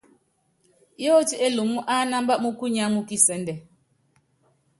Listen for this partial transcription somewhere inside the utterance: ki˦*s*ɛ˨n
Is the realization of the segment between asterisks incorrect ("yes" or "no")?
no